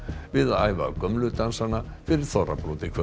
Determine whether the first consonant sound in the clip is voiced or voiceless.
voiced